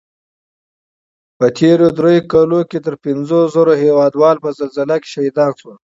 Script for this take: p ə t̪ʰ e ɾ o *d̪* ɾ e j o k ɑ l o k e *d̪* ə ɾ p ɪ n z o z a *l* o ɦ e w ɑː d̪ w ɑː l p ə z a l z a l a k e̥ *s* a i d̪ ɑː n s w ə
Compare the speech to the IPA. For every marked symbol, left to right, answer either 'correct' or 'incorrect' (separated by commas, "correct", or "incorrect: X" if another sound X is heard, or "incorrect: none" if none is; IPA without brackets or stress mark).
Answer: correct, incorrect: t̪, incorrect: ɾ, incorrect: ʃ